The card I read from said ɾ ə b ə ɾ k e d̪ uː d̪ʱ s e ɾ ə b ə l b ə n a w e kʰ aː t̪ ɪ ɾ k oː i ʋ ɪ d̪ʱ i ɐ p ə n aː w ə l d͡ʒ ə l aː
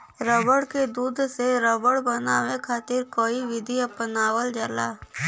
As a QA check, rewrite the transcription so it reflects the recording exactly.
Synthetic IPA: ɾ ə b ə ɽ k e d̪ uː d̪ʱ s e ɾ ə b ə ɽ b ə n a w e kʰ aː t̪ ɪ ɾ k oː i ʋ ɪ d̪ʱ i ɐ p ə n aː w ə l d͡ʒ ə l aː